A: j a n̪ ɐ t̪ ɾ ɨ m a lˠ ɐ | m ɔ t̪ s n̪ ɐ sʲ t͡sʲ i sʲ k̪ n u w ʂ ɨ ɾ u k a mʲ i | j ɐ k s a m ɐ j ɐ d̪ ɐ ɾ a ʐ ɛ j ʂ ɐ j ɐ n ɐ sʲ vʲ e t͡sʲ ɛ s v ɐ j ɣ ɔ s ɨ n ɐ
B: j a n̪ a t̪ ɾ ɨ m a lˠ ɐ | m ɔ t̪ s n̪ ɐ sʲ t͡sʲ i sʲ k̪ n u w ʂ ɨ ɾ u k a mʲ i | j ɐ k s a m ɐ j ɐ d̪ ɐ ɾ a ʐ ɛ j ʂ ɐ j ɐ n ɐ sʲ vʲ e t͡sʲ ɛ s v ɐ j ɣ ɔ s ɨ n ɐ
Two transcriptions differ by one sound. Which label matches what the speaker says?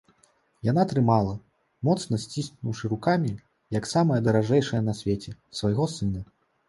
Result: B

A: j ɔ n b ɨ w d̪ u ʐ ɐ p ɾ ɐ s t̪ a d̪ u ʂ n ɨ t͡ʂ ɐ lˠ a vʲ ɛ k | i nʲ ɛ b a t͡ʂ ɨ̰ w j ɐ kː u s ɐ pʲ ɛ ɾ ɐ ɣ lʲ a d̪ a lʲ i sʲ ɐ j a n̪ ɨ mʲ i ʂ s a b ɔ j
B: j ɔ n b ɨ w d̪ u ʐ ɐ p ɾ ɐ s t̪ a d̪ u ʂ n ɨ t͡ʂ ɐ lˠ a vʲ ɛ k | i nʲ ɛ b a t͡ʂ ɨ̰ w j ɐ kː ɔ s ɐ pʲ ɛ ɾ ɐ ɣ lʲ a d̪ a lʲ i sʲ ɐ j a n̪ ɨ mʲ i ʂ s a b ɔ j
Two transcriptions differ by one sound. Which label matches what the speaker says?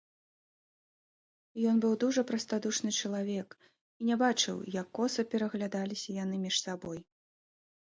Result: B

